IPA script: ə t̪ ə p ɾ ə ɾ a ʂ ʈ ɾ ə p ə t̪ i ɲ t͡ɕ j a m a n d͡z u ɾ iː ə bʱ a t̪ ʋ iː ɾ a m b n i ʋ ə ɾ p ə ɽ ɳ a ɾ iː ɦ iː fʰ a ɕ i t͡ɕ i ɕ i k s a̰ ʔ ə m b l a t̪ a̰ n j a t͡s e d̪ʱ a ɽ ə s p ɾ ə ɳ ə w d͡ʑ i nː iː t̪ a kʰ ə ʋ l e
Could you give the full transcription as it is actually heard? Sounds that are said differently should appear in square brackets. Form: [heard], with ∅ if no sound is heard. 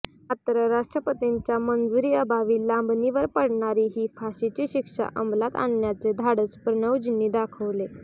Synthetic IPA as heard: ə t̪ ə [∅] ɾ ə ɾ a ʂ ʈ ɾ ə p ə t̪ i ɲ t͡ɕ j a m [ə] n d͡z u ɾ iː ə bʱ a [∅] ʋ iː [l] a m b n i ʋ ə ɾ p ə ɽ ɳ a ɾ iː ɦ iː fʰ a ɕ i t͡ɕ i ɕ i k [ʂ] a̰ ʔ ə m b l a t̪ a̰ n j a t͡s e d̪ʱ a ɽ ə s p ɾ ə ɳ ə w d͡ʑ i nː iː [d̪] a kʰ ə ʋ l e